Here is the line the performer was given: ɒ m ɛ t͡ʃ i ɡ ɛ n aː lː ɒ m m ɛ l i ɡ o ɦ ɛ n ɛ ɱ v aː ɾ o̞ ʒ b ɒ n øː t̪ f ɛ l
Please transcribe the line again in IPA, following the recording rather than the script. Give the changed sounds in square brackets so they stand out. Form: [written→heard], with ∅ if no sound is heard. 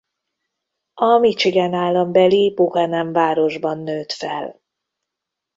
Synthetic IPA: ɒ m [ɛ→i] t͡ʃ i ɡ ɛ n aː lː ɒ m [m→b] ɛ l i [ɡ→b] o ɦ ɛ n ɛ ɱ v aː ɾ o̞ ʒ b ɒ [n→nː] øː t̪ f ɛ l